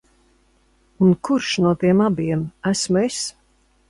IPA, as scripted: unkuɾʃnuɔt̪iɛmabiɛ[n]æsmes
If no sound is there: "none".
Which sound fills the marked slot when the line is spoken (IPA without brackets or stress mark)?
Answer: m